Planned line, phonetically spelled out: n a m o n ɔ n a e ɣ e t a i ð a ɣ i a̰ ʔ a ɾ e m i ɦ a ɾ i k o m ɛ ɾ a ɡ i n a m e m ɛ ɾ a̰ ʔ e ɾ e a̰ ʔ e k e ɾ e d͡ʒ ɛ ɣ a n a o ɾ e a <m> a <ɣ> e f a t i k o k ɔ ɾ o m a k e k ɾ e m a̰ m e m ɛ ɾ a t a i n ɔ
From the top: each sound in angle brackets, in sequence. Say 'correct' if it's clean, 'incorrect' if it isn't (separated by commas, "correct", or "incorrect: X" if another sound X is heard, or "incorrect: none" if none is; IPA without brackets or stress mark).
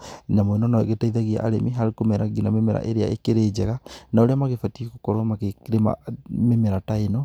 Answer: correct, correct